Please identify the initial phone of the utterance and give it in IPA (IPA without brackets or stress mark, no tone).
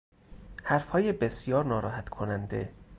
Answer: h